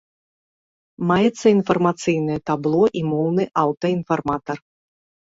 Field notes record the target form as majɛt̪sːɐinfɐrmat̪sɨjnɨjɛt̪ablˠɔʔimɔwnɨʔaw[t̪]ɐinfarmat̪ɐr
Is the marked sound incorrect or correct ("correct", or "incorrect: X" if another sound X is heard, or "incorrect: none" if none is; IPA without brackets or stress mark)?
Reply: correct